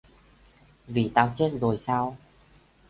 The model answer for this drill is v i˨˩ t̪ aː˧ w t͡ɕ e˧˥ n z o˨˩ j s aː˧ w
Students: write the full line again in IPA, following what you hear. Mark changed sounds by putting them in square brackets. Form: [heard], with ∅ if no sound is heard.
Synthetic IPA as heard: v i˨˩ t̪ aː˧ w t͡ɕ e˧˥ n z o˨˩ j s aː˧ w